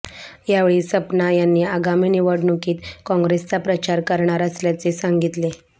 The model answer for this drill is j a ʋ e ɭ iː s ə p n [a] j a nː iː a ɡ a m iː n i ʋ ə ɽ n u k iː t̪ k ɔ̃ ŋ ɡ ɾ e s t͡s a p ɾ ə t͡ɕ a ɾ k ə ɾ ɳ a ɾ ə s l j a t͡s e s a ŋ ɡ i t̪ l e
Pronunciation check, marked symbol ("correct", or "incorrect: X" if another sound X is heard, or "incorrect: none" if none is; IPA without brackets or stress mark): correct